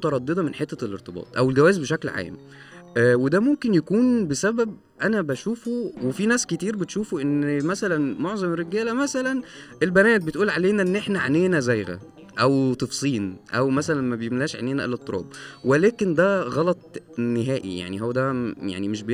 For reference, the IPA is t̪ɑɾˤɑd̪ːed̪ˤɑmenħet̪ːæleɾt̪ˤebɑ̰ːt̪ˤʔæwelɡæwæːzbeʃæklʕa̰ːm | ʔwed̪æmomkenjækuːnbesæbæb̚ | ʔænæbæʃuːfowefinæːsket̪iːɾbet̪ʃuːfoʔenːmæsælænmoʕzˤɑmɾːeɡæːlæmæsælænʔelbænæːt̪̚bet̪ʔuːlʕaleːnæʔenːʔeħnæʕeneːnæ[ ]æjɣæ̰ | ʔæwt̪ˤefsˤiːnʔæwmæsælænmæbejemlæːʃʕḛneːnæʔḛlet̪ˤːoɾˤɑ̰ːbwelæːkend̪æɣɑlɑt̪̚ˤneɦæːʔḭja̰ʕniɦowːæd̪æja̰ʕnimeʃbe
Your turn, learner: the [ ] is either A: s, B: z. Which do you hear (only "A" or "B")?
B